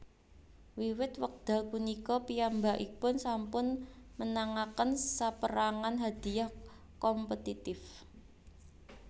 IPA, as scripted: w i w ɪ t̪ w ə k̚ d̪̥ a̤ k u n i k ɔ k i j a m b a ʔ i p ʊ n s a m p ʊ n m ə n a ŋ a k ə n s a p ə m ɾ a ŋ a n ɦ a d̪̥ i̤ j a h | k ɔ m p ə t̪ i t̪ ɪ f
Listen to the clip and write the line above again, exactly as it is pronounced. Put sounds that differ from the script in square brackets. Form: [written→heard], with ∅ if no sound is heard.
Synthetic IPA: w i w ɪ t̪ w ə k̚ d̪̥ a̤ k u n i k ɔ [k→p] i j a m b a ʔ i p ʊ n s a m p ʊ n m ə n a ŋ a k ə n s a p ə [m→∅] ɾ a ŋ a n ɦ a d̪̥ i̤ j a h | k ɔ m p ə t̪ i t̪ ɪ f